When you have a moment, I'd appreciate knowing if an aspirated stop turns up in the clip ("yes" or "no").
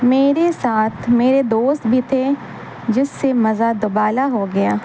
yes